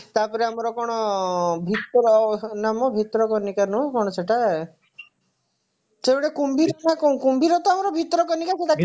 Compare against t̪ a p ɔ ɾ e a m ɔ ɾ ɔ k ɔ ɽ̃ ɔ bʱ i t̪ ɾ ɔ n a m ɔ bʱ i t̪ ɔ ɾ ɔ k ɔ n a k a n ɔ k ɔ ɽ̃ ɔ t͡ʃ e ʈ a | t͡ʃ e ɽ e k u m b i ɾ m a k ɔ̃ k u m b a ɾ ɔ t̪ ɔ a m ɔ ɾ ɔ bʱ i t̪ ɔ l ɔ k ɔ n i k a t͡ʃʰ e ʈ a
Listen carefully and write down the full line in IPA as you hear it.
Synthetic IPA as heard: t̪ a p ɔ ɾ e a m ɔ ɾ ɔ k ɔ ɽ̃ ɔ bʱ i t̪ ɾ ɔ n a m ɔ bʱ i t̪ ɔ ɾ ɔ k ɔ n i k a n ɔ k ɔ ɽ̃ ɔ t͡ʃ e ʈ a | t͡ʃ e ɽ e k u m b i ɾ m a k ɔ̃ k u m b i ɾ ɔ t̪ ɔ a m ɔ ɾ ɔ bʱ i t̪ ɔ ɾ ɔ k ɔ n i k a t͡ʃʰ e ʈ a